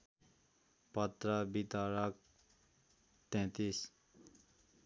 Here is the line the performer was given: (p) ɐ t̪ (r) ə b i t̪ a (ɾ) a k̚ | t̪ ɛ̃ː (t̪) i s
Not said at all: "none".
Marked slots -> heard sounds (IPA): p, ɾ, ɾ, t̪

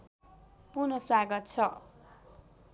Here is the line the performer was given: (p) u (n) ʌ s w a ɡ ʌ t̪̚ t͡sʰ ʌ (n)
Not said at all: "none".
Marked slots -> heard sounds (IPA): p, n, none

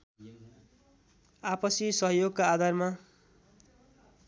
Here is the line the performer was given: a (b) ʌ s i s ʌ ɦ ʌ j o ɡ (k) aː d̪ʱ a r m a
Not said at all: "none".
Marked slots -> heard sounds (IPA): p, k

